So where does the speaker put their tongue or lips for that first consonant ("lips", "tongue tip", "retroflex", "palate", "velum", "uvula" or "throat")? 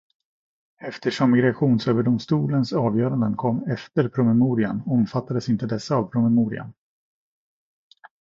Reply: lips